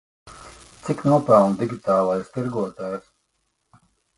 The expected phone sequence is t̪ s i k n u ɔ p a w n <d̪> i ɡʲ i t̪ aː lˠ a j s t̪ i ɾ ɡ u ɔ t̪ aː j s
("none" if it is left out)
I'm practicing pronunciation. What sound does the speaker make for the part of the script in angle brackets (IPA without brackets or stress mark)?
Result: d̪